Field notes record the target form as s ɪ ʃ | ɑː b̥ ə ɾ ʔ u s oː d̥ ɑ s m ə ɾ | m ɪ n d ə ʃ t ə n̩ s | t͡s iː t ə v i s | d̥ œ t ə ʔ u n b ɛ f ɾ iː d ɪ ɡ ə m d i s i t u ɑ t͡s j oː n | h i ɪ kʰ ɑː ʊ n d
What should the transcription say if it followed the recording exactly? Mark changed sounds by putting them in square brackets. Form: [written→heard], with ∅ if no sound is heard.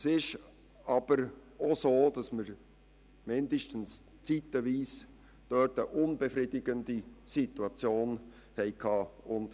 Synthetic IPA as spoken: s ɪ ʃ | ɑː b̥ ə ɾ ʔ [u→o] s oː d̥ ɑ s m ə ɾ | m ɪ n d ə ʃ t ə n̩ s | t͡s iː t ə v [i→iː] s | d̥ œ t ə ʔ [u→ʊ] n b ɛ f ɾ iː d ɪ ɡ ə [m→n] d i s i t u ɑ t͡s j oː n | h [i→ɛ] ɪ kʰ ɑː ʊ n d